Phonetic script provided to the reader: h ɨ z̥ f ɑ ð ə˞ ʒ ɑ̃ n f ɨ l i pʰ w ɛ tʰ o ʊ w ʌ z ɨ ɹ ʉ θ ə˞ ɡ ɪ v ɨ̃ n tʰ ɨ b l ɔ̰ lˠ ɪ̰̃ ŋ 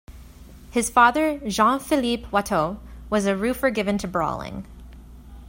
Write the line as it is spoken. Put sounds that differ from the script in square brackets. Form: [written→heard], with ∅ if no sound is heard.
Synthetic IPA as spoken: h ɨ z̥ f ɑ ð ə˞ ʒ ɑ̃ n f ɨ l i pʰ w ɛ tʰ o ʊ w ʌ z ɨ ɹ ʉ [θ→f] ə˞ ɡ ɪ v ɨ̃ n tʰ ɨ b [l→ɹ] ɔ̰ lˠ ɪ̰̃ ŋ

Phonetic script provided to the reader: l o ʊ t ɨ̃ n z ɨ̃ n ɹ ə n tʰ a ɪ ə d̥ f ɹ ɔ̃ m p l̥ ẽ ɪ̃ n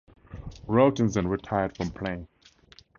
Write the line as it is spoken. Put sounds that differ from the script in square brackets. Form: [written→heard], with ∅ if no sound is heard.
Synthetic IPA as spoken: [l→ɹ] o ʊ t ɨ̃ n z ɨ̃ n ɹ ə [n→∅] tʰ a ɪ ə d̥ f ɹ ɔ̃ m [p→pʰ] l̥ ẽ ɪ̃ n

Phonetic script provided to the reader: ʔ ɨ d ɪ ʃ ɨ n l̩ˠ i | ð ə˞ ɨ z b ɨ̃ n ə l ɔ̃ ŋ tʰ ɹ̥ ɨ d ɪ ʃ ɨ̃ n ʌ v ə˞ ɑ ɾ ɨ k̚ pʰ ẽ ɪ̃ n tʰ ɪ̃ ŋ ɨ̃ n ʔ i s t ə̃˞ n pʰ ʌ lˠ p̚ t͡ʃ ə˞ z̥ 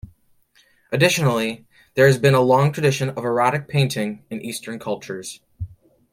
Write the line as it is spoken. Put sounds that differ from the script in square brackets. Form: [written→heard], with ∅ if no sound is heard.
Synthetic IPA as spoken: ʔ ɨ d ɪ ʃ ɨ n l̩ˠ i | ð ə˞ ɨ z b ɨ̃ n ə l ɔ̃ ŋ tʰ ɹ̥ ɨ d ɪ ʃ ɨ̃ n ʌ v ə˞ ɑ ɾ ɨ k̚ pʰ ẽ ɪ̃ n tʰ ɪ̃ ŋ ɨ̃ n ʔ i s t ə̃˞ n [pʰ→kʰ] ʌ lˠ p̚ t͡ʃ ə˞ z̥

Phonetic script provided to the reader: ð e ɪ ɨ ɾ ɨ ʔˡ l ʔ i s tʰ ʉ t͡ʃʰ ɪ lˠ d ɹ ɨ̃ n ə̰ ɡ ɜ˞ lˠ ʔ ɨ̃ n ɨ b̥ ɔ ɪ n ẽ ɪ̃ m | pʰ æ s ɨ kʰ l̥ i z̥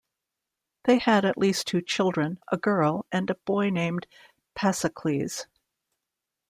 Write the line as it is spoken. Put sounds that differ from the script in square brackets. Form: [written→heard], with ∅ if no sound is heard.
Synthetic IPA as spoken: ð e ɪ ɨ ɾ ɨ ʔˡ l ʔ i s tʰ ʉ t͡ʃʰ ɪ lˠ d ɹ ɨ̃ n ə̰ ɡ ɜ˞ lˠ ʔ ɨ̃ n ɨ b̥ ɔ ɪ n ẽ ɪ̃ m | pʰ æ s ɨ kʰ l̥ i z̥

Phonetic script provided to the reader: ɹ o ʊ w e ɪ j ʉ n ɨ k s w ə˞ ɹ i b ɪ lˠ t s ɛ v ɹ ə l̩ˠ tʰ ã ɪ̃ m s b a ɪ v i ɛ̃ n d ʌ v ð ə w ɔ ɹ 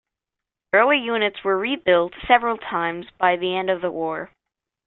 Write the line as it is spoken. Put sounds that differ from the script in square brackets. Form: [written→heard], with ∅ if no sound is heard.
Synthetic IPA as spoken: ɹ o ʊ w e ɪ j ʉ n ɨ [k→t] s w ə˞ ɹ i b ɪ lˠ t s ɛ v ɹ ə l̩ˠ tʰ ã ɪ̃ m [s→z] b a ɪ [v→ð] i ɛ̃ n d ʌ v ð ə w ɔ ɹ

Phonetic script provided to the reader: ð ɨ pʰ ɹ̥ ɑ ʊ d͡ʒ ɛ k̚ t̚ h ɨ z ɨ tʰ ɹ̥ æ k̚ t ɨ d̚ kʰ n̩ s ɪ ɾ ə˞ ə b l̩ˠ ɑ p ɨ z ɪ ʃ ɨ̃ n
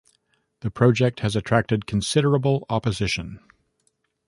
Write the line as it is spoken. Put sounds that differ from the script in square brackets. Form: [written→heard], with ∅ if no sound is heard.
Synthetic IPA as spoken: ð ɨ pʰ ɹ̥ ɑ ʊ d͡ʒ ɛ k̚ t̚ h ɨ z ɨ tʰ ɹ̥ æ k̚ t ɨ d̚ kʰ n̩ s ɪ ɾ ə˞ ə b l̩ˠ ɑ p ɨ z ɪ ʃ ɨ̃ n

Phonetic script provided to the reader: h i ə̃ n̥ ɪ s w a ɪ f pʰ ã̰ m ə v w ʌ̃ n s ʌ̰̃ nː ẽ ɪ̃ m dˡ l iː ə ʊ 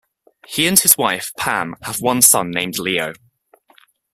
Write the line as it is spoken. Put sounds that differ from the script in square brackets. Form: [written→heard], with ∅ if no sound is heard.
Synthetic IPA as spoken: h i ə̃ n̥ ɪ [s→z] w a ɪ f pʰ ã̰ m ə v w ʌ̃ n s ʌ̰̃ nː ẽ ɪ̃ m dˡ l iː ə ʊ

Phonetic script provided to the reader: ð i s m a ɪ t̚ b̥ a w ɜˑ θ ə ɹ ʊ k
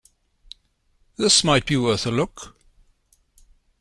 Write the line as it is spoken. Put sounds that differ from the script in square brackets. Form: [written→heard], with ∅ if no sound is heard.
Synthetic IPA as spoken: ð [i→ɪ] s m a ɪ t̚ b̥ [a→i] w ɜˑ θ ə [ɹ→l] ʊ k

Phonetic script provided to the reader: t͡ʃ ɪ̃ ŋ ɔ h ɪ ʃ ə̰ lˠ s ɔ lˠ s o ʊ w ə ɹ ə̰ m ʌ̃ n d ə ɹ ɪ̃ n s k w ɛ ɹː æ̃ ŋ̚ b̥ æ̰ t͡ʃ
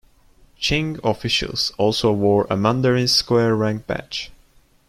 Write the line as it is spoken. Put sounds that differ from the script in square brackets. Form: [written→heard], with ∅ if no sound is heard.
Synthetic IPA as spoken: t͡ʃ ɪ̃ ŋ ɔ [h→f] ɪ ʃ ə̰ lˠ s ɔ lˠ s o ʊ w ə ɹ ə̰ m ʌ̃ n d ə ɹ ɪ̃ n s k w ɛ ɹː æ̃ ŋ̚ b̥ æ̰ t͡ʃ

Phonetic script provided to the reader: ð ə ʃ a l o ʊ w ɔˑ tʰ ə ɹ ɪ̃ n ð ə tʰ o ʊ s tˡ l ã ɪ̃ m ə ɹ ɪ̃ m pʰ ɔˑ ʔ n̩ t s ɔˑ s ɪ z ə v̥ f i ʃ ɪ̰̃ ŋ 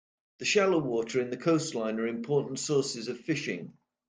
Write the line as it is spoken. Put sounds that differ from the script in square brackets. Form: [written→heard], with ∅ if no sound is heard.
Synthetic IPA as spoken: ð ə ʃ a l o ʊ w ɔˑ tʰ ə ɹ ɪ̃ n ð ə [tʰ→kʰ] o ʊ s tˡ l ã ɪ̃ [m→n] ə ɹ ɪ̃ m pʰ ɔˑ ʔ n̩ t s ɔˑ s ɪ z ə v̥ f [i→ɪ] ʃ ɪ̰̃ ŋ

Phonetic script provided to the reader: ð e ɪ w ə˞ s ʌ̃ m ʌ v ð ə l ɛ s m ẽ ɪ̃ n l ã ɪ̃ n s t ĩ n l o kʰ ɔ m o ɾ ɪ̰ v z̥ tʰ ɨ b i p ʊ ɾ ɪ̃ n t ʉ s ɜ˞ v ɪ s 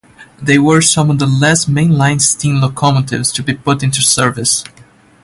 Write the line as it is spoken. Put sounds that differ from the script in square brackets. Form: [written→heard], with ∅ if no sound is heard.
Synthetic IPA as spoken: ð e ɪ w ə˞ s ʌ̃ m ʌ v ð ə l ɛ s m ẽ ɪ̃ n l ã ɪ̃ n s t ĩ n l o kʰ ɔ m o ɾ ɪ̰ v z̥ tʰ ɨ b i p ʊ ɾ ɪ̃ n t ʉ s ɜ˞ v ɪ s

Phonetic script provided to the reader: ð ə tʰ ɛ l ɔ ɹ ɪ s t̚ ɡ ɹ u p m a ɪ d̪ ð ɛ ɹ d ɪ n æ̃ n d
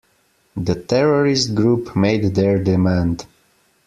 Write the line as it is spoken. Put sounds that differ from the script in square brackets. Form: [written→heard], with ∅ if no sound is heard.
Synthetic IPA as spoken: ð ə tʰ ɛ [l→ɹ] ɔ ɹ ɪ s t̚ ɡ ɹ u p m [a→e] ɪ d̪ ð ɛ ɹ d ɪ [n→m] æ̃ n d

